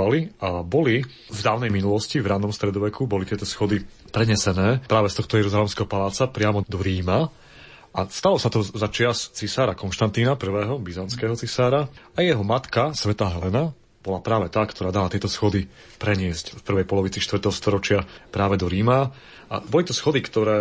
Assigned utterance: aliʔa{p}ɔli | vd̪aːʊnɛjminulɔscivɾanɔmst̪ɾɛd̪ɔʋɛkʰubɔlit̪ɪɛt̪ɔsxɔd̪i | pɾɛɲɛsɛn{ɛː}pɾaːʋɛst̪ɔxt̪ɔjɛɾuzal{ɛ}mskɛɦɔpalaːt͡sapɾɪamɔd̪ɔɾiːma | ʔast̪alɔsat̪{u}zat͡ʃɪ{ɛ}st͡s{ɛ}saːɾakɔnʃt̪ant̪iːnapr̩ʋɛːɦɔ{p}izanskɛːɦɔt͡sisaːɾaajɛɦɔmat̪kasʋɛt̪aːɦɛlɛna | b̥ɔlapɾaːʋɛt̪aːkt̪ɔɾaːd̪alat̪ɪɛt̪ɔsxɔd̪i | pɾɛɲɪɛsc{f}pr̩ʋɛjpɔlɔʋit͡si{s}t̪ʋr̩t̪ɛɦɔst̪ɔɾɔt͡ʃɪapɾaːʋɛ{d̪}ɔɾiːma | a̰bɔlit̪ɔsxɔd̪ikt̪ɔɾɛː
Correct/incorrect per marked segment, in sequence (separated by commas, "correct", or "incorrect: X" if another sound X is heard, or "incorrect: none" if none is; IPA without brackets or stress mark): incorrect: b, correct, correct, incorrect: ɔ, incorrect: a, incorrect: i, incorrect: b, correct, incorrect: ʃ, correct